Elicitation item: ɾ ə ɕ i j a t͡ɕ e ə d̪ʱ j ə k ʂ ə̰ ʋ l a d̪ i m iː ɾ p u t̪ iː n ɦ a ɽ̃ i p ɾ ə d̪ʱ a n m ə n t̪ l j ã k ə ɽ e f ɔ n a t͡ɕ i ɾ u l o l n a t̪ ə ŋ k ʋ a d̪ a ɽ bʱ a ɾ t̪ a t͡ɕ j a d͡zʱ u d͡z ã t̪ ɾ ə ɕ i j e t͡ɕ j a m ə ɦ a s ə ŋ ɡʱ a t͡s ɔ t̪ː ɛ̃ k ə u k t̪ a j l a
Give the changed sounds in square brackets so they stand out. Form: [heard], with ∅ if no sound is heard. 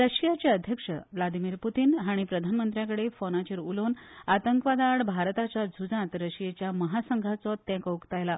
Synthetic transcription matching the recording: ɾ ə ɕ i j a t͡ɕ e ə d̪ʱ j ə k ʂ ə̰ ʋ l a d̪ i m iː ɾ p u t̪ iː n ɦ a ɽ̃ i p ɾ ə d̪ʱ a n m ə n t̪ [ɾ] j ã k ə ɽ e f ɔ n a t͡ɕ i ɾ u l o [∅] n a t̪ ə ŋ k ʋ a d̪ a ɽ bʱ a ɾ t̪ a t͡ɕ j a d͡zʱ u d͡z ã t̪ ɾ ə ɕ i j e t͡ɕ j a m ə ɦ a s ə ŋ ɡʱ a t͡s ɔ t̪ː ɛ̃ k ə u k t̪ a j l a